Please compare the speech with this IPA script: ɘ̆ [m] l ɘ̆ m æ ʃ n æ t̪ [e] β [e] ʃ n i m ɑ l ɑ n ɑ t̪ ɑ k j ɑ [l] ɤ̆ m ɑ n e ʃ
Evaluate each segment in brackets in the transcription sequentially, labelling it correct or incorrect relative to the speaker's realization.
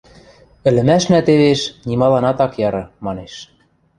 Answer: incorrect: none, correct, correct, incorrect: ɾ

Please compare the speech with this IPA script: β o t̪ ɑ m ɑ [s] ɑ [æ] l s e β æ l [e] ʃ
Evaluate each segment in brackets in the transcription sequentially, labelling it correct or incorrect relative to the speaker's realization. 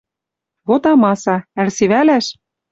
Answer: correct, correct, incorrect: æ

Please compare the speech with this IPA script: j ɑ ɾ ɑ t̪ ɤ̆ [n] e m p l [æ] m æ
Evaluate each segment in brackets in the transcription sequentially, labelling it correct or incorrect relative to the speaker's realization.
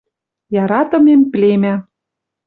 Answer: incorrect: m, incorrect: e

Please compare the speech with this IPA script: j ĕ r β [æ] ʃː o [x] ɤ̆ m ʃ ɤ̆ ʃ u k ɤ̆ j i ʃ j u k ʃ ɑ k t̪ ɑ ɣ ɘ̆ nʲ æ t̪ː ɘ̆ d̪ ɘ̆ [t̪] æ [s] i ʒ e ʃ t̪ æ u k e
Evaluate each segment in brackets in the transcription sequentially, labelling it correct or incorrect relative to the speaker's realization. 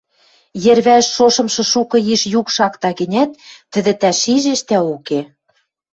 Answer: correct, incorrect: ʃ, correct, incorrect: ʃ

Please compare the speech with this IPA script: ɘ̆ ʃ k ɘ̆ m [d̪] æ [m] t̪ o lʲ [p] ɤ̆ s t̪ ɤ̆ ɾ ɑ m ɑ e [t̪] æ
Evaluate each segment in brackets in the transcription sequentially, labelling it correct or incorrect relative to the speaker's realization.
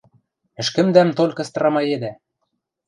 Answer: correct, correct, incorrect: k, incorrect: d̪

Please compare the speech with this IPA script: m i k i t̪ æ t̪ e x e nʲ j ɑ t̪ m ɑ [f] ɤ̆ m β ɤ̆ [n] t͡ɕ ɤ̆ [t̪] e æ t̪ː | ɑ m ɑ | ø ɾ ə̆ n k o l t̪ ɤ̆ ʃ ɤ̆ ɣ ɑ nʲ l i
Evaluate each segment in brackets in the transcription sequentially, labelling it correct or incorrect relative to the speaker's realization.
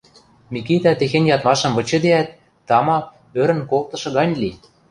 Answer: incorrect: ʃ, incorrect: none, incorrect: d̪

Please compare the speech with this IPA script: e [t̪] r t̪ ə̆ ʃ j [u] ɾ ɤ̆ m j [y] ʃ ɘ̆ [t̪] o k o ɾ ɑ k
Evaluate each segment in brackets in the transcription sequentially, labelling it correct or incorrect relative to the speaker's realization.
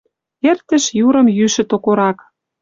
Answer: incorrect: none, correct, correct, correct

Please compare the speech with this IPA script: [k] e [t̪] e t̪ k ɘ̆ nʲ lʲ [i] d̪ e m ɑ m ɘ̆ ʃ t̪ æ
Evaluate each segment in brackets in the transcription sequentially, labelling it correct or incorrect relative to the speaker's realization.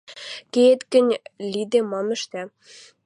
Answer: correct, incorrect: none, correct

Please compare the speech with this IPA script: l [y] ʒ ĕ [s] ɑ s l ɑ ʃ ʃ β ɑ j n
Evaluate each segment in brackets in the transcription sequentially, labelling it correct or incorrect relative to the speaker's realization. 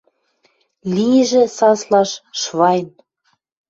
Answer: incorrect: i, correct

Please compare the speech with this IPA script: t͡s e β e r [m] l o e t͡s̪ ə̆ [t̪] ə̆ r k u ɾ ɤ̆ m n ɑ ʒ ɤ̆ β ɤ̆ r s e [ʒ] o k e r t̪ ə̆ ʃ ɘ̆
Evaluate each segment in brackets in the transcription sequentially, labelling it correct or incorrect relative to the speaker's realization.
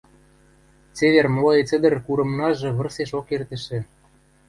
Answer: correct, incorrect: d̪, incorrect: ʃ

